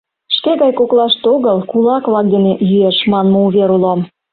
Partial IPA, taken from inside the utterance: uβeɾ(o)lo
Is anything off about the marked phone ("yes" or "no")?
yes